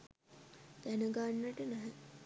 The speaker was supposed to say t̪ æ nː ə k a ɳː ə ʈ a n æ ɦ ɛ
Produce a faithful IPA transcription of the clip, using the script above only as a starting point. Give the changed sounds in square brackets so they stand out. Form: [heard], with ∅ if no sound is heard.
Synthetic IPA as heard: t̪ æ [n] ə [ɡ] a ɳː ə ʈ [ə] n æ ɦ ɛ